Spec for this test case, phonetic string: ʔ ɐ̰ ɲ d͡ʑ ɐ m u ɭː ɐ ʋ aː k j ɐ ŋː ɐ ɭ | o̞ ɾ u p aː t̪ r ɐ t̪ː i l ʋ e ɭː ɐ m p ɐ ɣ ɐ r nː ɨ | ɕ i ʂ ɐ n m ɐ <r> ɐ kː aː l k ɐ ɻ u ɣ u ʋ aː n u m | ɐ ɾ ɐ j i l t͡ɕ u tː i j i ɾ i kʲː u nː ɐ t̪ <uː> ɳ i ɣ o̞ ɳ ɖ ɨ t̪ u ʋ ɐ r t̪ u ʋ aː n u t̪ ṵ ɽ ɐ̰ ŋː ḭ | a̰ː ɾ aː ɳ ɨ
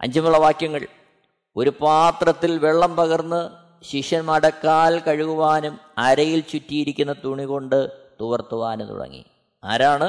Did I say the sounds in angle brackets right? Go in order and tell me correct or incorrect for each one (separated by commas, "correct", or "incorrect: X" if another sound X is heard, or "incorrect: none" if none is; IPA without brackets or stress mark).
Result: incorrect: ɽ, incorrect: u